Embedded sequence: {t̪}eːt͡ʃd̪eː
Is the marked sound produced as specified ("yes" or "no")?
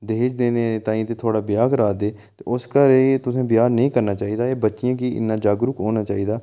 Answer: no